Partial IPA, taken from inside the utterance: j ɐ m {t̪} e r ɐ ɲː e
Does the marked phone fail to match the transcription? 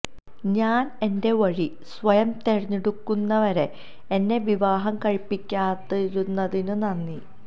no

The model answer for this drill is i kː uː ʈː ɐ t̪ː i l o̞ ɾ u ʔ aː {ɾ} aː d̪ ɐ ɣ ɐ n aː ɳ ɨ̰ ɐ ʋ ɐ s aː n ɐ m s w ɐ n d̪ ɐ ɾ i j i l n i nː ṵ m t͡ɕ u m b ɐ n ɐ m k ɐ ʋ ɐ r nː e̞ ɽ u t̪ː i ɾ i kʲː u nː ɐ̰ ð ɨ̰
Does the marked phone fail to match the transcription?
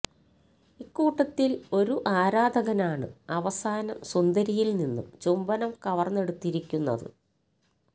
no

